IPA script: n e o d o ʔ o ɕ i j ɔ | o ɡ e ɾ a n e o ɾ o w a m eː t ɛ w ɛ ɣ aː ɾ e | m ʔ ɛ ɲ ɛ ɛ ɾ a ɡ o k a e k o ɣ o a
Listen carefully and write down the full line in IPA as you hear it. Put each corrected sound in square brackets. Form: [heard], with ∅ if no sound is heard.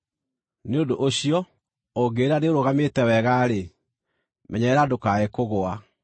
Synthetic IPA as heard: n e o d o ʔ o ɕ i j ɔ | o ɡ e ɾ a n e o ɾ o [ɣ] a m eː t ɛ w ɛ ɣ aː ɾ e | m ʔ ɛ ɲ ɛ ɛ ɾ a [d] o k a e k o ɣ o a